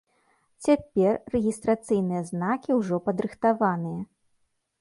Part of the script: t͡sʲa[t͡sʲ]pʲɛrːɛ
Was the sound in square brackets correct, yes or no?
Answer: no